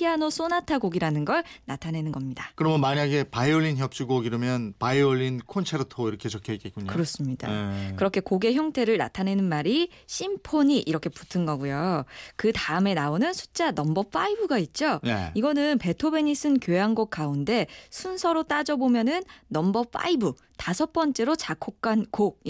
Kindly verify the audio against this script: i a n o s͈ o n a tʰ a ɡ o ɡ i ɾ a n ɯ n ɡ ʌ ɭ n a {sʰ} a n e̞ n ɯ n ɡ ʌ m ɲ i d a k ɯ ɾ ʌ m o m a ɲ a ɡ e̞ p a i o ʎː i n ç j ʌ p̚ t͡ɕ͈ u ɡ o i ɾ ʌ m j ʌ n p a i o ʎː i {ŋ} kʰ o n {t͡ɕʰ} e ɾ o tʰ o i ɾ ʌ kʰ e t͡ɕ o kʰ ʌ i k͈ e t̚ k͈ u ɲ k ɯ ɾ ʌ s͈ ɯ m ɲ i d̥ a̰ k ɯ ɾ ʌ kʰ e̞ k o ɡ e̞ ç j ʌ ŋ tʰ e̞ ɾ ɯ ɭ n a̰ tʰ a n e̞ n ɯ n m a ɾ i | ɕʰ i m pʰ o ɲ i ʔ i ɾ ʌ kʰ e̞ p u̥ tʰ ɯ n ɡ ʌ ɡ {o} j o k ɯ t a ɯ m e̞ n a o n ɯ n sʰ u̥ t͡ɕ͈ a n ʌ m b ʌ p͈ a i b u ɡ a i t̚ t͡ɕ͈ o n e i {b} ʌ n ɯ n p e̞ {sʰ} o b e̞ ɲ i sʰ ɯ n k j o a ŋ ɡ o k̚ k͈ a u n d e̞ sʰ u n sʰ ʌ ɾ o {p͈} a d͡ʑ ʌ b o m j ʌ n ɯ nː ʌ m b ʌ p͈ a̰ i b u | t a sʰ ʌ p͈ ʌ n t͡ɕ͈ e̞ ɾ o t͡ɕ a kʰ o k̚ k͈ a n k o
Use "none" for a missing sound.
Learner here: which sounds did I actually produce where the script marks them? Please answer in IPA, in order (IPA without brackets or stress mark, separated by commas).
tʰ, n, t͡ɕʰ, u, ɡ, tʰ, t͈